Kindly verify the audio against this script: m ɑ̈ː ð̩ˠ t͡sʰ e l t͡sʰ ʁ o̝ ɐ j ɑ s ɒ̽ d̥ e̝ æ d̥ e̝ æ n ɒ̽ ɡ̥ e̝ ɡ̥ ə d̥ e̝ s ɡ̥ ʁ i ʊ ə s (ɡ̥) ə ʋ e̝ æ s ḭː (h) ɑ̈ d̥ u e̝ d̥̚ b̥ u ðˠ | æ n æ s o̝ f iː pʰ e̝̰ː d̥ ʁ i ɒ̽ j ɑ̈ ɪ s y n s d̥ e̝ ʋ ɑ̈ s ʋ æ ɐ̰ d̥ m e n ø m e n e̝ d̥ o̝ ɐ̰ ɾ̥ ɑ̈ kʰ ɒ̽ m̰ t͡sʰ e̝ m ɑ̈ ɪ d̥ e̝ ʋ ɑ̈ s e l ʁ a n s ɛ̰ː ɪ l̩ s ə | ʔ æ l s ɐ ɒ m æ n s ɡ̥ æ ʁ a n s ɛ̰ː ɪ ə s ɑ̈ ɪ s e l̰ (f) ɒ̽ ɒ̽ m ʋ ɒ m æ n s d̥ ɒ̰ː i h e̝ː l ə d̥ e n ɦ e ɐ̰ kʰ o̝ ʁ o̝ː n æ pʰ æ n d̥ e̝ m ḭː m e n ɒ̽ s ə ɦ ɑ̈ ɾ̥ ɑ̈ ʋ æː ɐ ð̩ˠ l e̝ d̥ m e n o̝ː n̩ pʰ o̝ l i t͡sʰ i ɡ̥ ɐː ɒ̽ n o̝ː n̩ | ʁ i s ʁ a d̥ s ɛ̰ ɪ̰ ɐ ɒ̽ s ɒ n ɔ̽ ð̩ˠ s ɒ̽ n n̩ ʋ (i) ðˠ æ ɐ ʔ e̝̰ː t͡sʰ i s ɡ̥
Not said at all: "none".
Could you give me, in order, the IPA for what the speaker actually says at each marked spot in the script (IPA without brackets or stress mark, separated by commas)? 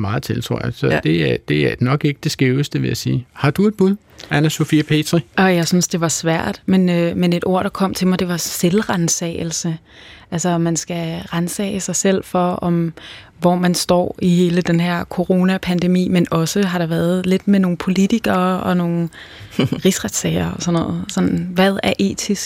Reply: d̥, h, f, æ